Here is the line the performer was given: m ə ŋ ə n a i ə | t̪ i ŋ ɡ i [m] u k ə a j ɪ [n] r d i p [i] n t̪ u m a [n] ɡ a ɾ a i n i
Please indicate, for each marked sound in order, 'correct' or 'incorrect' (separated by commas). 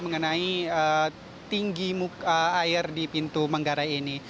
correct, incorrect, correct, incorrect